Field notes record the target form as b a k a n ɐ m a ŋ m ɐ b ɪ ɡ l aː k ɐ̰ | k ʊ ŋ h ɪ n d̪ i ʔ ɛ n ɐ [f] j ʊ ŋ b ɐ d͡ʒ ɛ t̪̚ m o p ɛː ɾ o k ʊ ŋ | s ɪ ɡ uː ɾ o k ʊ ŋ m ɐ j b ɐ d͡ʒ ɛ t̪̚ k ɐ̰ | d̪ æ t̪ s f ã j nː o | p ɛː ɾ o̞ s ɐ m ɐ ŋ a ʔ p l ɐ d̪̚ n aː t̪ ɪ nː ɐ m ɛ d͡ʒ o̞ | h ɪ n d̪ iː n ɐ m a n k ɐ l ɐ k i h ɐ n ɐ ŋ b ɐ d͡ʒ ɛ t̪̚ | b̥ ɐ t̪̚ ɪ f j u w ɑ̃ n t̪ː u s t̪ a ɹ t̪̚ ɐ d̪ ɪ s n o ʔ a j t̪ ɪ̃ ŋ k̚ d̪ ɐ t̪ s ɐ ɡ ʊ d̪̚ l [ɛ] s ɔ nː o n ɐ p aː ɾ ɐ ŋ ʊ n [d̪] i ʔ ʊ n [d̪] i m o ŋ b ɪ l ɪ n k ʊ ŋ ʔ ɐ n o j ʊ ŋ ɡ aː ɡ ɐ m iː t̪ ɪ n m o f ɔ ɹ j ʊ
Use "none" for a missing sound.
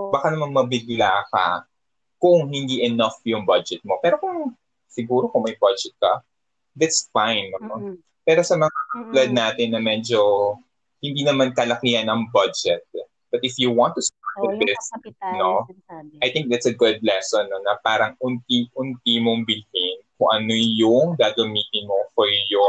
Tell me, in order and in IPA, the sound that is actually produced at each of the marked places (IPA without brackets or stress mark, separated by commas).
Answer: f, ɛ, t̪, t̪